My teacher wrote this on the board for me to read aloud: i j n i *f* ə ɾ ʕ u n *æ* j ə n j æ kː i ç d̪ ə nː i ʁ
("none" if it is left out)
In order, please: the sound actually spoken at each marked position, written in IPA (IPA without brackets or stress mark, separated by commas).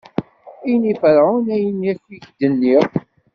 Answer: f, æ